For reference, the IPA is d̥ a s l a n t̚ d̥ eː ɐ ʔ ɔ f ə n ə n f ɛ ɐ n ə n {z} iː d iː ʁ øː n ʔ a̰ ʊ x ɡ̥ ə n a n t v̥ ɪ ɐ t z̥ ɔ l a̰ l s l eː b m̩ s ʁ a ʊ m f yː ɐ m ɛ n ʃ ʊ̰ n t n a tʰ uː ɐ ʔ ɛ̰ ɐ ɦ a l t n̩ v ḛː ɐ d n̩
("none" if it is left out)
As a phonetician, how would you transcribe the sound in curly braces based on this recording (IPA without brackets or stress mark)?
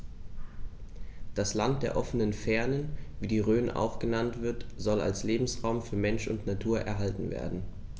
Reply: v